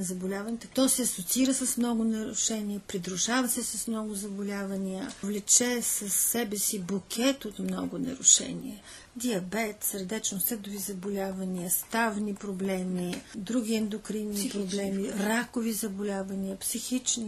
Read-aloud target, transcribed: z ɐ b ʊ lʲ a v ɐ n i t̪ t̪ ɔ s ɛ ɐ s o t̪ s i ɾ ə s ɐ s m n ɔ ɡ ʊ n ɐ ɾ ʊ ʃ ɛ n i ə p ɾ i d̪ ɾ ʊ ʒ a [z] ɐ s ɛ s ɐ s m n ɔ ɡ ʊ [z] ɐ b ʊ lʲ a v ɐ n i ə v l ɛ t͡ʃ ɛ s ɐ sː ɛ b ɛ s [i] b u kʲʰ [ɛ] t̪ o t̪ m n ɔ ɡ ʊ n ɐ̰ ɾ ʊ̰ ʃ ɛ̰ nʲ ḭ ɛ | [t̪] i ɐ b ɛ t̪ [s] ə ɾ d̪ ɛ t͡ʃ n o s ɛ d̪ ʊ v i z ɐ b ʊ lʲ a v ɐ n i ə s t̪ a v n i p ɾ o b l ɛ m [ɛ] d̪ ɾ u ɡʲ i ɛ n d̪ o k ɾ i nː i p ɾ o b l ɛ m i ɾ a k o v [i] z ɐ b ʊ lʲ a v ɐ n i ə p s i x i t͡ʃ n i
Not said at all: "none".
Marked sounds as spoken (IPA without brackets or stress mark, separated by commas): v, z, i, ɛ, d̪, s, i, i